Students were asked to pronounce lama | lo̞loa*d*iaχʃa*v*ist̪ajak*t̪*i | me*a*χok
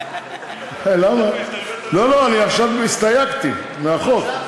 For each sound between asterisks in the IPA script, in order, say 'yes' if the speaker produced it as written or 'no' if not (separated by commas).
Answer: no, yes, yes, yes